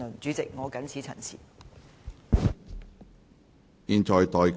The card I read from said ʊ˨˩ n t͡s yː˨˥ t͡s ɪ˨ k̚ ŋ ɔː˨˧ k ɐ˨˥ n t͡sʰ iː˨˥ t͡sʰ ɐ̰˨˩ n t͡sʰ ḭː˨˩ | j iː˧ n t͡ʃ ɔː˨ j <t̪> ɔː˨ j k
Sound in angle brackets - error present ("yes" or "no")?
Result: no